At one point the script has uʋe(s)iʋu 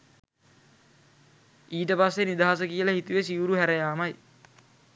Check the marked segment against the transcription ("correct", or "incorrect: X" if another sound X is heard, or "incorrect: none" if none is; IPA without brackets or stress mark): correct